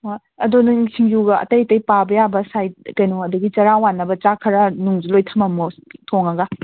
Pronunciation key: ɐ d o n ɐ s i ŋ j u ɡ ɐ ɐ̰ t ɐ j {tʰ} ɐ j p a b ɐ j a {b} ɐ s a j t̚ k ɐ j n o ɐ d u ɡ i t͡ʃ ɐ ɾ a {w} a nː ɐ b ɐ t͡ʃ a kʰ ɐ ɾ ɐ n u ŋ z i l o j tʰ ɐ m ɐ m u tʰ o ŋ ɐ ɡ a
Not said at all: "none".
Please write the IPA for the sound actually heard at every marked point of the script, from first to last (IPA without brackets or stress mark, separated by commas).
t, b, w